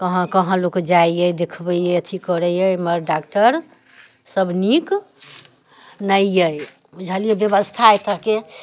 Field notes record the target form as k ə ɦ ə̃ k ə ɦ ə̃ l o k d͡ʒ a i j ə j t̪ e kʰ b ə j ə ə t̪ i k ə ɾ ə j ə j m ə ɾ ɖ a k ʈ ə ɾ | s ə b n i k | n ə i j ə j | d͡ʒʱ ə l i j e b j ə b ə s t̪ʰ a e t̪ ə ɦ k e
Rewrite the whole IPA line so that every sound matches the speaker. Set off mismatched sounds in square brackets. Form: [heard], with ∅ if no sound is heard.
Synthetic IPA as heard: k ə ɦ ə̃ k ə ɦ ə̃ l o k d͡ʒ a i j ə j [d̪] e kʰ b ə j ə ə [t̪ʰ] i k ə ɾ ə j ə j m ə ɾ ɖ a k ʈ ə ɾ | s ə b n i k | n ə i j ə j | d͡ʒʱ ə l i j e b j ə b ə s t̪ʰ a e t̪ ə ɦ k e